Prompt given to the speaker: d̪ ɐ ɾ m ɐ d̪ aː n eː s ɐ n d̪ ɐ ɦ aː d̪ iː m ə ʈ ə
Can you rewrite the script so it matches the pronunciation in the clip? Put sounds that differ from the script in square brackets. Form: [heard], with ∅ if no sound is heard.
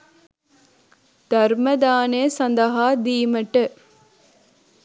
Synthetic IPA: d̪ ɐ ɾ m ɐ d̪ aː n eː s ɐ n d̪ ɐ ɦ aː d̪ iː m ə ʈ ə